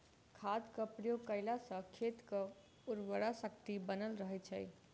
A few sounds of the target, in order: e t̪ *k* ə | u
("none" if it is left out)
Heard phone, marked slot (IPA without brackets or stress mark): k